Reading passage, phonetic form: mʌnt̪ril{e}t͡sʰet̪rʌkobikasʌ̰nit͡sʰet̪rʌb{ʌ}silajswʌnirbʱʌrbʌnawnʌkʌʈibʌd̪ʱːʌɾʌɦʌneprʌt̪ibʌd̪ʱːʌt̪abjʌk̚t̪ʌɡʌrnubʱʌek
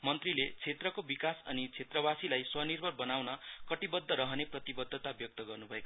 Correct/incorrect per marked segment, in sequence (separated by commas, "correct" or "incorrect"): correct, incorrect